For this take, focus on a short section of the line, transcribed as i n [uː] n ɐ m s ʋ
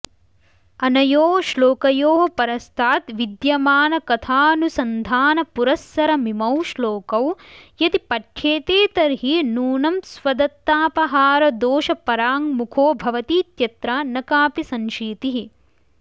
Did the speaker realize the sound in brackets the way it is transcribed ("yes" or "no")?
yes